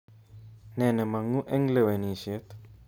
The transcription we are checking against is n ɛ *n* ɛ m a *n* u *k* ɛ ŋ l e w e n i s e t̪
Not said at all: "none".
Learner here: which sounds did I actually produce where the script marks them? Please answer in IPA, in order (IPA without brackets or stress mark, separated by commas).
n, ŋ, ʔ